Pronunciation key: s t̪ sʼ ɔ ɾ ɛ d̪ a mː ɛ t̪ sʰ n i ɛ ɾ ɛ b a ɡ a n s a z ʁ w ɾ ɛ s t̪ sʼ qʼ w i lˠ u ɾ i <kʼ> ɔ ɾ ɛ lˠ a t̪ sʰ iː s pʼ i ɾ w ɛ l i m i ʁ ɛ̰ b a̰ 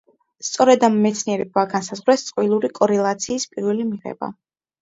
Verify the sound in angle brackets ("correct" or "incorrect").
correct